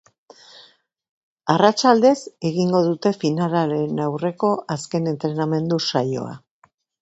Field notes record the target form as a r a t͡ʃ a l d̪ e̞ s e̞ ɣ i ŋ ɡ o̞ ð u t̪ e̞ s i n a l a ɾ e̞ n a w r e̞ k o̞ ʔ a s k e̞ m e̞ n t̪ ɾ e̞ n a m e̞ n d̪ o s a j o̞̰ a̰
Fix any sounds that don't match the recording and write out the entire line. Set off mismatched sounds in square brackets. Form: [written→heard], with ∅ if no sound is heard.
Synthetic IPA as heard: a r a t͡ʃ a l d̪ e̞ s e̞ ɣ i ŋ ɡ o̞ ð u t̪ e̞ [s→f] i n a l a ɾ e̞ n a w r e̞ k o̞ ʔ a s k e̞ [m→n] e̞ n t̪ ɾ e̞ n a m e̞ n d̪ [o→u] s a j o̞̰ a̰